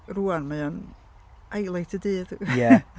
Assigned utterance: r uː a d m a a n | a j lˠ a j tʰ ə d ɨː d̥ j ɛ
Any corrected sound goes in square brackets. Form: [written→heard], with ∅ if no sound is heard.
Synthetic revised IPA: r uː a [d→n] m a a n | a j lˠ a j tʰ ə d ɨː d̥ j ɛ